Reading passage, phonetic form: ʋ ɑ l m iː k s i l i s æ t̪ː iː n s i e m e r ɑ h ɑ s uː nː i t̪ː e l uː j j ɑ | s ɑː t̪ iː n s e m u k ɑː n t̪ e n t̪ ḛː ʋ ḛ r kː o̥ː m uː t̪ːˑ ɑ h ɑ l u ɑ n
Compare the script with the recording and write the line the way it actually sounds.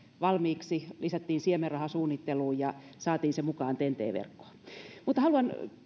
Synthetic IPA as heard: ʋ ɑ l m iː k s i l i s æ t̪ː iː n s i e m e r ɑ h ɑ s uː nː i t̪ː e l uː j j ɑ | s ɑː t̪ iː n s e m u k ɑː n t̪ e n t̪ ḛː ʋ ḛ r kː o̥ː m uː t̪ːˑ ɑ h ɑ l u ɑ n